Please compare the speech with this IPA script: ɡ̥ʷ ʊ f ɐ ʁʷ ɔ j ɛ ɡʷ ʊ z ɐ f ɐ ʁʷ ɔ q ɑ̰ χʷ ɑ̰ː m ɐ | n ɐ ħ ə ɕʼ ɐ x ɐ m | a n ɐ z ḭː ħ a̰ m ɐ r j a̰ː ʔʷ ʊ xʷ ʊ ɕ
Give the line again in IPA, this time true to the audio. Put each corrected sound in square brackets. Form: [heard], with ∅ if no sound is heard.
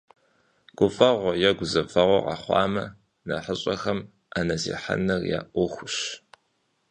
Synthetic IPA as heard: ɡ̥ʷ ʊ f ɐ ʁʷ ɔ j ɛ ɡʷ ʊ z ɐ f ɐ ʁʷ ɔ q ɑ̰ χʷ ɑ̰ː m ɐ | n ɐ ħ ə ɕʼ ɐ x ɐ m | a n ɐ z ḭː ħ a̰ [n] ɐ r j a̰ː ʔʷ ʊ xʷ ʊ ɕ